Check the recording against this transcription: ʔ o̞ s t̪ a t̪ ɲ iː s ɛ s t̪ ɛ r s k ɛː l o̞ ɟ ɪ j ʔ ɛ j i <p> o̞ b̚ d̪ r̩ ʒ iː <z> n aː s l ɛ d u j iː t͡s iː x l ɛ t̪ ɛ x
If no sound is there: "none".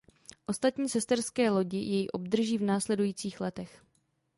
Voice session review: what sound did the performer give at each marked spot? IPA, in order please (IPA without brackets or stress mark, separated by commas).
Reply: ʔ, v